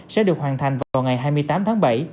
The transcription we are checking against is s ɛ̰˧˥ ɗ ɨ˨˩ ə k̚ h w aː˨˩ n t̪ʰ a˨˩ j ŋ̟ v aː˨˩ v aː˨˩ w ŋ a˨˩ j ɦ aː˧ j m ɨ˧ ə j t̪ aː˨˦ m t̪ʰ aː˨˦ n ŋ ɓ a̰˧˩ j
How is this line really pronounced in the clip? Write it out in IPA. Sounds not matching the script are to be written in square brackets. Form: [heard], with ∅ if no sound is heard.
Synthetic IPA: s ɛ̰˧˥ ɗ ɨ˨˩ ə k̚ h w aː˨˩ n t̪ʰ a˨˩ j ŋ̟ v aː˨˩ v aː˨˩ w ŋ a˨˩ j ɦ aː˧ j m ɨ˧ ə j t̪ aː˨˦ m t̪ʰ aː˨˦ [∅] ŋ ɓ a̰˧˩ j